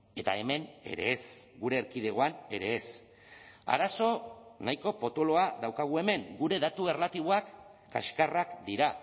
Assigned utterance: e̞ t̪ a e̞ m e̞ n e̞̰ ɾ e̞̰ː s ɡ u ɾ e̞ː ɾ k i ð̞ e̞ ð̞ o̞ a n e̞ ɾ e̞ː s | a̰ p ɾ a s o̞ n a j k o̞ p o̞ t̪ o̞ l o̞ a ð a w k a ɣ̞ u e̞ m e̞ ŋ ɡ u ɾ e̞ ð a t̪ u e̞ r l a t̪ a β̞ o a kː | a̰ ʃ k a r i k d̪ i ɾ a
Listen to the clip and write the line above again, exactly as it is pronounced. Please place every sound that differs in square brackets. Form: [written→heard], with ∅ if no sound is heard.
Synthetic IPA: e̞ t̪ a e̞ m e̞ n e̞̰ ɾ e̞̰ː s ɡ u ɾ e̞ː ɾ k i ð̞ e̞ [ð̞→ɣ̞] o̞ a n e̞ ɾ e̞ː s | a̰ [p→∅] ɾ a s o̞ n a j k o̞ p o̞ t̪ o̞ l o̞ a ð a w k a ɣ̞ u e̞ m e̞ ŋ ɡ u ɾ e̞ ð a t̪ u e̞ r l a t̪ [a→i] β̞ o a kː | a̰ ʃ k a r [i→a] k d̪ i ɾ a